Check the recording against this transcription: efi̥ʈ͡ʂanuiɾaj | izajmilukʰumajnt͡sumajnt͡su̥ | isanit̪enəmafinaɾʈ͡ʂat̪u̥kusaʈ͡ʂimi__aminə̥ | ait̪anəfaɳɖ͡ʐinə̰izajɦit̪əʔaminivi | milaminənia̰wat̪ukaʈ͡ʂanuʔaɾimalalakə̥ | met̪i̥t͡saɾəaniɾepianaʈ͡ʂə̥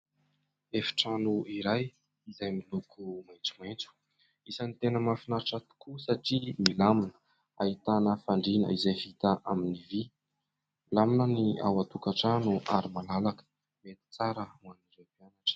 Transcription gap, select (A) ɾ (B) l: B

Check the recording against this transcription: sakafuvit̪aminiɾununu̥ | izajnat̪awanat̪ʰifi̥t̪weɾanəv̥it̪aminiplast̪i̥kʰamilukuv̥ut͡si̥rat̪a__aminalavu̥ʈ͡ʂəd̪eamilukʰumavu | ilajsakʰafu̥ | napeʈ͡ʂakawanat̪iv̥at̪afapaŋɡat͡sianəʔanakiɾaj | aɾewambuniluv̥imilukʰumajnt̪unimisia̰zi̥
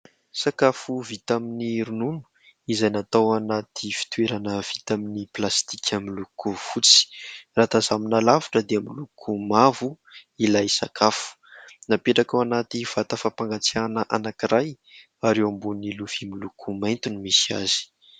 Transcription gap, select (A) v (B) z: B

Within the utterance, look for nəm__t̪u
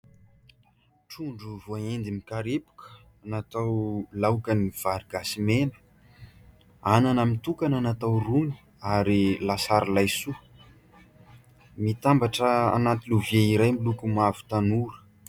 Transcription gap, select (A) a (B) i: B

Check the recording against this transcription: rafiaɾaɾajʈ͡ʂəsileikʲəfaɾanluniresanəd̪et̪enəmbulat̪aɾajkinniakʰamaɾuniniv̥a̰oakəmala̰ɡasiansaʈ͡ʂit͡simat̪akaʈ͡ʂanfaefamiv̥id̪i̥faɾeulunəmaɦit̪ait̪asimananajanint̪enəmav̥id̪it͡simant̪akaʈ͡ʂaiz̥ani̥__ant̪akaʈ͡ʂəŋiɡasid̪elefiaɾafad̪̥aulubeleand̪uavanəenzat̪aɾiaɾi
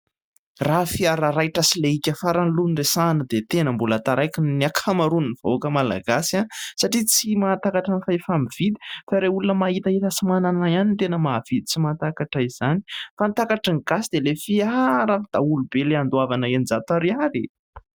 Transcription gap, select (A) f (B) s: A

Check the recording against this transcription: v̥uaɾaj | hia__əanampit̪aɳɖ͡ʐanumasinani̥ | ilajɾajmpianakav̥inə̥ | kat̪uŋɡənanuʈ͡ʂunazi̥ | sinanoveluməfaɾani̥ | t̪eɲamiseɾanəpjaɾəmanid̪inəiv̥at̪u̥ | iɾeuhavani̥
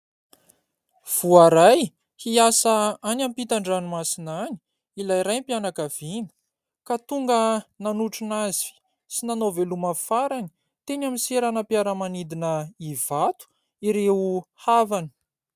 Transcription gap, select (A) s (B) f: A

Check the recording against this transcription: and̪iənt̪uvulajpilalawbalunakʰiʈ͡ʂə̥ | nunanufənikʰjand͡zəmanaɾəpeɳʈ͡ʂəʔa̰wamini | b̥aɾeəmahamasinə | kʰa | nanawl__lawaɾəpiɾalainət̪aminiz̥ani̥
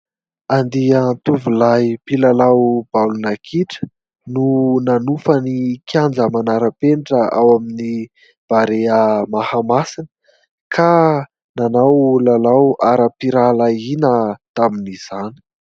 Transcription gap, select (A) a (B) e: A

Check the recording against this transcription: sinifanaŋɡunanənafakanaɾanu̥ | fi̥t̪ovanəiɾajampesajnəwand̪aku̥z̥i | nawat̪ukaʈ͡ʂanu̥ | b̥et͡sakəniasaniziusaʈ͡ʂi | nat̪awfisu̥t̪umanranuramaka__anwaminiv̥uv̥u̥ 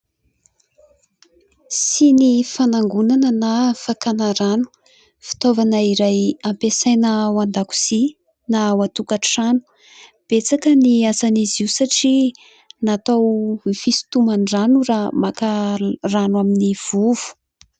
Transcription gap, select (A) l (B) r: B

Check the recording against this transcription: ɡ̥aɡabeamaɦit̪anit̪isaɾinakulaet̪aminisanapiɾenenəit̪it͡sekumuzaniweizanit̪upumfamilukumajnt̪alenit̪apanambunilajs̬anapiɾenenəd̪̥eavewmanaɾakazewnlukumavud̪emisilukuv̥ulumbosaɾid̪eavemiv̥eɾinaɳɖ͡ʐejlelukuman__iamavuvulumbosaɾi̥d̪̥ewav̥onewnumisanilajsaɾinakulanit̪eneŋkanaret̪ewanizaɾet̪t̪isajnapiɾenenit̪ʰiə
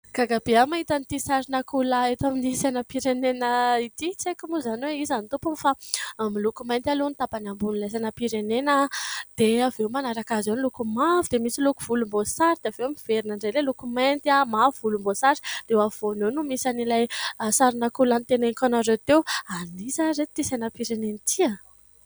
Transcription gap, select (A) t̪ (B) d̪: A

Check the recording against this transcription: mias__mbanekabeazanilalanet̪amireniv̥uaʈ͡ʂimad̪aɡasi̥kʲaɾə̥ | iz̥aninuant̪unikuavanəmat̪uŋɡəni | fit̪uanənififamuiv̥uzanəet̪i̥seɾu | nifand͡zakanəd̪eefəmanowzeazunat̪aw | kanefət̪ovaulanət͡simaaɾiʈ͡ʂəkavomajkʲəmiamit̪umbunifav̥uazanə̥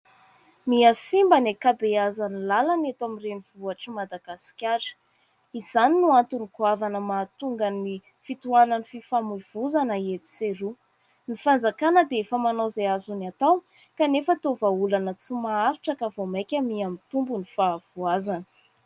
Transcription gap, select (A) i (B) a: A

